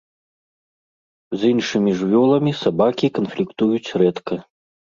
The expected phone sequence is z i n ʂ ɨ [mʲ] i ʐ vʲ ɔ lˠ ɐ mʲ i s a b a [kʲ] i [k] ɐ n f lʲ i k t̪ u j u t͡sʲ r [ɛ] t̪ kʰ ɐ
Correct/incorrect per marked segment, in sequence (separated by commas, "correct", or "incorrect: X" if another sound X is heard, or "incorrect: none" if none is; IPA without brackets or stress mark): correct, correct, correct, correct